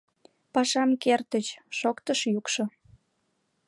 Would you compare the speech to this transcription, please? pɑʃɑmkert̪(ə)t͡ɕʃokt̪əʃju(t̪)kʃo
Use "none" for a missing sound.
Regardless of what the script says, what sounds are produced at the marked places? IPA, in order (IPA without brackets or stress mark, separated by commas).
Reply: ə, none